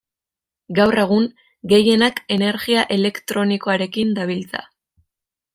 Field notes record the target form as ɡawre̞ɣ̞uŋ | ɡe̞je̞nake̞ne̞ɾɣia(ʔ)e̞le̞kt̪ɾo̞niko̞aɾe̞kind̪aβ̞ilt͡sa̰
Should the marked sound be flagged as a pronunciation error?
no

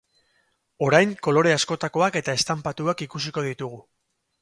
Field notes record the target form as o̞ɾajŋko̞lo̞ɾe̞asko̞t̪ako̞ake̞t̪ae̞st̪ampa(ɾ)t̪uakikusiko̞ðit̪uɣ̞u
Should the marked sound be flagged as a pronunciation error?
yes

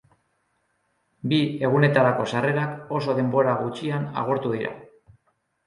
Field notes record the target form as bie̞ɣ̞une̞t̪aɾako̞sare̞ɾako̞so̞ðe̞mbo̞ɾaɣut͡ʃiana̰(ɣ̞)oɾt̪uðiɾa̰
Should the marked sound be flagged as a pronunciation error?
no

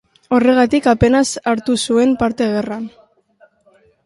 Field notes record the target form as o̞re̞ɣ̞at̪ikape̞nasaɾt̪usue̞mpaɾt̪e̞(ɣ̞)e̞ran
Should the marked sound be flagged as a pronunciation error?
no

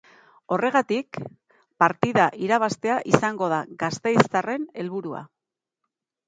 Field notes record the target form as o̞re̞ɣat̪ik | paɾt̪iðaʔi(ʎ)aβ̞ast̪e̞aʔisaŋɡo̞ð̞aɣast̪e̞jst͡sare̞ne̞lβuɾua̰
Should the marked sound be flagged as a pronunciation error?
yes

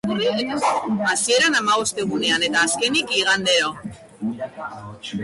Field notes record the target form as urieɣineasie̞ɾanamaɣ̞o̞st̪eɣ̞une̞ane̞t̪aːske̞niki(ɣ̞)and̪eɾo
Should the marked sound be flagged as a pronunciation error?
no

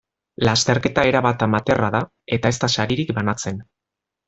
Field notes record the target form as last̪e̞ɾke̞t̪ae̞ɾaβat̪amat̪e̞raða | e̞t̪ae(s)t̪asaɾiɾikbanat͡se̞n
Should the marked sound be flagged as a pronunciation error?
no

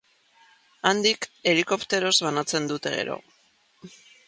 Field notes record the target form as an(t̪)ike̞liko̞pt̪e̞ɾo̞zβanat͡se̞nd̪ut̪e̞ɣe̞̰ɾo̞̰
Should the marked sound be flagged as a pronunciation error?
yes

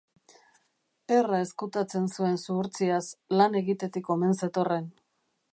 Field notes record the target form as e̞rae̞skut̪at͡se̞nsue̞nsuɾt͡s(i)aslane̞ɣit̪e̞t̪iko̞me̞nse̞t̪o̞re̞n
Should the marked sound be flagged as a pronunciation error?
no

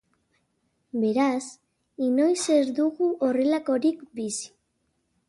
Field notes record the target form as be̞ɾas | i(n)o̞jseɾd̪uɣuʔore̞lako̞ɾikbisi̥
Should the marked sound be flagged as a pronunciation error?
no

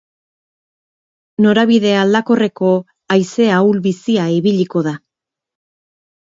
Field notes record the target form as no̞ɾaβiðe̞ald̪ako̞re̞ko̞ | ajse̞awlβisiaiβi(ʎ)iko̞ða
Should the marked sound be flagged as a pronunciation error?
no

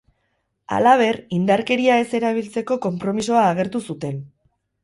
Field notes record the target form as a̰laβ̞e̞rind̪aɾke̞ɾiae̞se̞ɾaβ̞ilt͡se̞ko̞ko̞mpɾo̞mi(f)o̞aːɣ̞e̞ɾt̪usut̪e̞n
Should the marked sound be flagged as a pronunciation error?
yes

